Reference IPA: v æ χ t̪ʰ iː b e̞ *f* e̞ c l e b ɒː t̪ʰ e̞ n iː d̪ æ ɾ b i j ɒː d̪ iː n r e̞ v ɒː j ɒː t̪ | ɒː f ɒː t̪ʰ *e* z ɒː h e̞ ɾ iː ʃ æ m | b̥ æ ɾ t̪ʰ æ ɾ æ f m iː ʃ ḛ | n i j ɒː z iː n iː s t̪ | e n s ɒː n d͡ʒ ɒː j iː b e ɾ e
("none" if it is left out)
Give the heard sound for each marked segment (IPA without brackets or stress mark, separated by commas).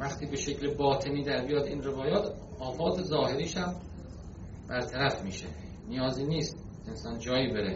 ʃ, e